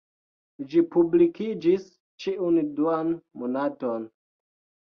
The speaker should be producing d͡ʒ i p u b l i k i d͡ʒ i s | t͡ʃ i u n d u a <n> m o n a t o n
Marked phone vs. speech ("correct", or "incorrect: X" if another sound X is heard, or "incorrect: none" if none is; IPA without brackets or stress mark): correct